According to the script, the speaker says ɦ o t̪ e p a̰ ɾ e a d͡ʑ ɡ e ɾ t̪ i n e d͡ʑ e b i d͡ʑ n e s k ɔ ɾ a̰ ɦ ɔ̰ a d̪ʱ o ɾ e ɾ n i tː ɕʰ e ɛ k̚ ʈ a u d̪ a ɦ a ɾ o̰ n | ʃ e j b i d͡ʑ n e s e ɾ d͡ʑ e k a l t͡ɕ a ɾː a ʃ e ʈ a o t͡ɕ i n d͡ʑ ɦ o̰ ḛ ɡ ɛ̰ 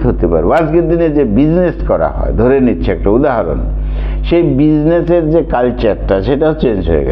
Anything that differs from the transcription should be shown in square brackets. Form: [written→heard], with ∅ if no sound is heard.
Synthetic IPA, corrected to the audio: ɦ o t̪ e p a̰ ɾ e a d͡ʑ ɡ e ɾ [t̪→d̪] i n e d͡ʑ e b i d͡ʑ n e s k ɔ ɾ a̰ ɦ ɔ̰ [a→e] d̪ʱ o ɾ e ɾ n i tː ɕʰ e ɛ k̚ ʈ a u d̪ a ɦ a ɾ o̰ n | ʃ e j b i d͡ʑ n e s e ɾ d͡ʑ e k a l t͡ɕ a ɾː a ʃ e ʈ a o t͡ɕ [i→e] n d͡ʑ ɦ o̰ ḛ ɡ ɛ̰